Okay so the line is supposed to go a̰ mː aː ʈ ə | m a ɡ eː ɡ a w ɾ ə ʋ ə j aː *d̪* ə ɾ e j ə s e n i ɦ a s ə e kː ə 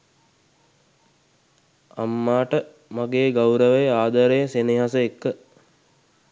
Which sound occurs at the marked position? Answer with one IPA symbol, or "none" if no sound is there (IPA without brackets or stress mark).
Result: d̪